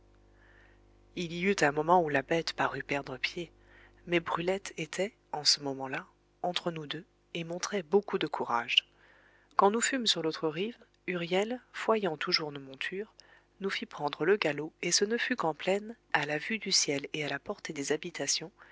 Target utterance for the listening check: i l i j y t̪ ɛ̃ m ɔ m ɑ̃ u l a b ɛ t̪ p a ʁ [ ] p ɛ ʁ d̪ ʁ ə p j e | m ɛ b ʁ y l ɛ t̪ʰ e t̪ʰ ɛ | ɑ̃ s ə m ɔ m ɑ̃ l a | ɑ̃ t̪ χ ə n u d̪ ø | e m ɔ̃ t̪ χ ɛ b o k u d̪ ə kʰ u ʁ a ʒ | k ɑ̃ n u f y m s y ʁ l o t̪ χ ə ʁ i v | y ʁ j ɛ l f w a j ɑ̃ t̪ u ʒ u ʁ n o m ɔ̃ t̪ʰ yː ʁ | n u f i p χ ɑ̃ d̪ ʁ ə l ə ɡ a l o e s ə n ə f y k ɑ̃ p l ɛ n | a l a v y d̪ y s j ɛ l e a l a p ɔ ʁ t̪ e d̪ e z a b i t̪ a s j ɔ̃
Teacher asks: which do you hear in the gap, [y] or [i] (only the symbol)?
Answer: y